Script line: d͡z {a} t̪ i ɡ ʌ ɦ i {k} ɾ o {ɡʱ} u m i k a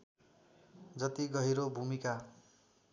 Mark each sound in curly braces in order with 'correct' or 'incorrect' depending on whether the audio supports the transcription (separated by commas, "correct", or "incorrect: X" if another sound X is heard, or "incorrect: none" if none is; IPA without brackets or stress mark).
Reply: incorrect: ʌ, incorrect: none, incorrect: bʱ